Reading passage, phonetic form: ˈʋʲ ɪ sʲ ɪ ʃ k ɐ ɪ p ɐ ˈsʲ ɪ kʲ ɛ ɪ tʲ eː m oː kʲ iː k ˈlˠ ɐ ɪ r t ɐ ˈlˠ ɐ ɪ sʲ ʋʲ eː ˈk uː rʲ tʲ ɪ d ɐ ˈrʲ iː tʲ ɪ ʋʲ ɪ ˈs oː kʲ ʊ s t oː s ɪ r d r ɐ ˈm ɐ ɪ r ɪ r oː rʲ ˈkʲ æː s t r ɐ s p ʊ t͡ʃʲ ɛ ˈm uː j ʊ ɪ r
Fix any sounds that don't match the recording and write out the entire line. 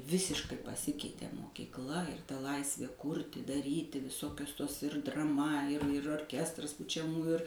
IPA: ˈʋʲ ɪ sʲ ɪ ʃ k ɐ ɪ p ɐ ˈsʲ ɪ kʲ ɛ ɪ tʲ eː m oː kʲ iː k ˈlˠ ɐ ɪ r t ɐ ˈlˠ ɐ ɪ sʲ ʋʲ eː ˈk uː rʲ tʲ ɪ d ɐ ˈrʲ iː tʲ ɪ ʋʲ ɪ ˈs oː kʲ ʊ s t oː s ɪ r d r ɐ ˈm ɐ ɪ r ɪ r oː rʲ ˈkʲ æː s t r ɐ s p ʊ t͡ʃʲ ɛ ˈm uː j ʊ ɪ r